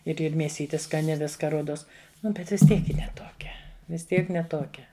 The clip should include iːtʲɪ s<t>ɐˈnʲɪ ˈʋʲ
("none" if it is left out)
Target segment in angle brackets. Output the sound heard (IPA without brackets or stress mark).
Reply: k